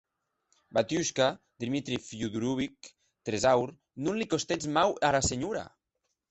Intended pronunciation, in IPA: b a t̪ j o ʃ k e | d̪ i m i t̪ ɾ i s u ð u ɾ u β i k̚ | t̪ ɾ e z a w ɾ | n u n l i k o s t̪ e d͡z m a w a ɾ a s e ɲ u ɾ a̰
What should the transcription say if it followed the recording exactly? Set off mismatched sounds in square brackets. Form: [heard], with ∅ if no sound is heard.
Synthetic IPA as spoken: b a t̪ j [u] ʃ k [a] | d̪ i m i t̪ ɾ i [f] u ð u ɾ u β i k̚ | t̪ ɾ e z a w ɾ | n u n l i k o s t̪ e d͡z m a w a ɾ a s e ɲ u ɾ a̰

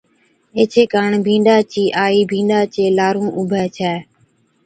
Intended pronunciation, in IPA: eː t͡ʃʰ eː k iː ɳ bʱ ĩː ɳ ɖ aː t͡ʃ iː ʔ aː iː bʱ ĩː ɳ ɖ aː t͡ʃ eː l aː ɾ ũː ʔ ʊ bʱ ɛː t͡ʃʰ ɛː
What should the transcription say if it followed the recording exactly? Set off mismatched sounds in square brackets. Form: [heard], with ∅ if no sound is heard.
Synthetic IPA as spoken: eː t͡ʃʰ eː k [aː] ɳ bʱ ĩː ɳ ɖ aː t͡ʃ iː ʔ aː iː bʱ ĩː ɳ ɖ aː t͡ʃ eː l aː ɾ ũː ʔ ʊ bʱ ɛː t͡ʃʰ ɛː

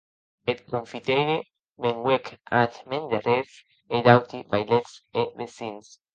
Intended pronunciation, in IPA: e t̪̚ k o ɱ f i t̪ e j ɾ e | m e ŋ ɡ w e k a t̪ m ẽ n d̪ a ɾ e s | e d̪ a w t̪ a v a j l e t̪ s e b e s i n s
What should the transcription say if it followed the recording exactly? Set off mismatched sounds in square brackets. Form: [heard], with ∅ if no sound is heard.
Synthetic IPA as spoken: e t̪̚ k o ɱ f i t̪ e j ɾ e | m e ŋ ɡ w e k a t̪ m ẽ n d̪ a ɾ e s | e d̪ a w t̪ [i] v a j l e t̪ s e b e s i n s

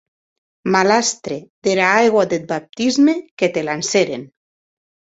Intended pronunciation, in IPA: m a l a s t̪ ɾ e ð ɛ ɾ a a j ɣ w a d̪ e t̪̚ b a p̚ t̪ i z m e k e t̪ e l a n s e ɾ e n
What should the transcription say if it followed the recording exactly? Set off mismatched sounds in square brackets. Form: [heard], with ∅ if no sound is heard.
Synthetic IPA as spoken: m a l a s t̪ ɾ e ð [e] ɾ a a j ɣ w a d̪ e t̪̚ b a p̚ t̪ i z m e k e t̪ e l a n s e ɾ e n

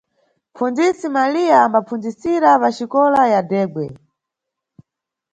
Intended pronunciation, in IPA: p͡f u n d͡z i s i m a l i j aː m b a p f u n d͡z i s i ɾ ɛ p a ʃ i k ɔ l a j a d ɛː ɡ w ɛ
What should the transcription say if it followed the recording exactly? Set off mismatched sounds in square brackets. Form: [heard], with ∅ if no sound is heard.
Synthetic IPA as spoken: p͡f u n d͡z i s i m a l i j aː m b a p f u n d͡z i s i ɾ [a] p a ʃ i k ɔ l a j a d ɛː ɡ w ɛ

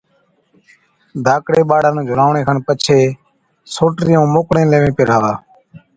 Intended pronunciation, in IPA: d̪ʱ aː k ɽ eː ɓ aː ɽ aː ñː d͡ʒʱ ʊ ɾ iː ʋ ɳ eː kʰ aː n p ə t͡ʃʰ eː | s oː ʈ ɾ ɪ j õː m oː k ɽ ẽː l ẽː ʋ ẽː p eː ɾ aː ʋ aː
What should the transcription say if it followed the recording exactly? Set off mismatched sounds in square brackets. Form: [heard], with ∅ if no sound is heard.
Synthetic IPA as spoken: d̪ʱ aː k ɽ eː ɓ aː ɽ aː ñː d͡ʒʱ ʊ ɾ [aː] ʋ ɳ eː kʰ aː n p ə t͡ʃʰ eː | s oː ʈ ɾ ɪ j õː m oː k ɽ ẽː l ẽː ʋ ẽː p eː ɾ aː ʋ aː

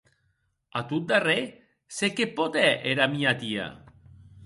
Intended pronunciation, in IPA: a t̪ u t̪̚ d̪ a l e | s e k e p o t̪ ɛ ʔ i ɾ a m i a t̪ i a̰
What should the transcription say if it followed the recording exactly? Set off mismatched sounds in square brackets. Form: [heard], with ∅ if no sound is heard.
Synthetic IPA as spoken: a t̪ u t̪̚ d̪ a [r] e | s e k e p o t̪ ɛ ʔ [e] ɾ a m i a t̪ i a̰

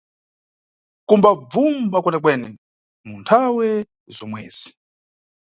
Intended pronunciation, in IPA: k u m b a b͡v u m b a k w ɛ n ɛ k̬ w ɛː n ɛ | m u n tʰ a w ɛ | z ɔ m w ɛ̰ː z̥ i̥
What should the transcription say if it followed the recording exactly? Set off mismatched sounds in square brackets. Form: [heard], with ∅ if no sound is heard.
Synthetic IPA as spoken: k u m b a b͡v u m b a k w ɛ n ɛ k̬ w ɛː n ɛ | m u n tʰ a w ɛ | z ɔ m w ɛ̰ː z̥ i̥

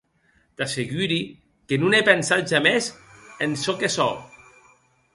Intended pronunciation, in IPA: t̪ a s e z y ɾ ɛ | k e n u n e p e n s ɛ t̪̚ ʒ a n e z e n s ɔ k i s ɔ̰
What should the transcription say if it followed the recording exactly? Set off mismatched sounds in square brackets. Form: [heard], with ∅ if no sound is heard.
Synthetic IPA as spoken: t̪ a s e [ɣ] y ɾ [i] | k e n u n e p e n s [a] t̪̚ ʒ a [m] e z e n s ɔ k [e] s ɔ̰

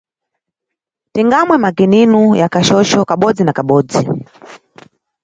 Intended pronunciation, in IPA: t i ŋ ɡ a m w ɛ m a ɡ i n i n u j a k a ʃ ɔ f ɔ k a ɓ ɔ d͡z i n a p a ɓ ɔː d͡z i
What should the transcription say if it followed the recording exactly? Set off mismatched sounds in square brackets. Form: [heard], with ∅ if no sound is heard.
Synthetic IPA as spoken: t i ŋ ɡ a m w ɛ m a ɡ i n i n u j a k a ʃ ɔ [ʃ] ɔ k a ɓ ɔ d͡z i n a [k] a ɓ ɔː d͡z i

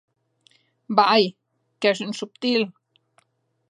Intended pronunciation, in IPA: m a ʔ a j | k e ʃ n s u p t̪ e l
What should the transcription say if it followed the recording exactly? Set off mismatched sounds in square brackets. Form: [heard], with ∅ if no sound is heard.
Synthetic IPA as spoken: [b] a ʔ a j | k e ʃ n s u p t̪ [i] l

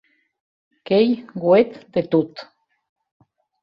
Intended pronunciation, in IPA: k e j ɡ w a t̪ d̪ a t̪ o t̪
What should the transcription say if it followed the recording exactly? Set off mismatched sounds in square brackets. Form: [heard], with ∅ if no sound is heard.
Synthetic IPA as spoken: k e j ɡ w [e] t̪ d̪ [e] t̪ [u] t̪

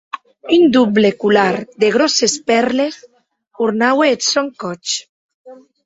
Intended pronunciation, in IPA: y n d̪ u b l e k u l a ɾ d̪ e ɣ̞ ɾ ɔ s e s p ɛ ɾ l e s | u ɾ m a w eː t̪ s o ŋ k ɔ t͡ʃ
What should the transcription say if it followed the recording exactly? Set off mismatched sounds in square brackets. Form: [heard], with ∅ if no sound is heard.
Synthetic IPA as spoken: y n d̪ u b l e k u l a ɾ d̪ e ɣ̞ ɾ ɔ s e s p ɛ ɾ l e s | u ɾ [n] a w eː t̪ s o ŋ k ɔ t͡ʃ

